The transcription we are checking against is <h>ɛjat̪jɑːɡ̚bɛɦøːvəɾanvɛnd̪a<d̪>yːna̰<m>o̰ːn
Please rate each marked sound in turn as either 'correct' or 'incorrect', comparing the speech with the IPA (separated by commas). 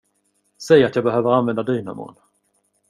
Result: incorrect, correct, correct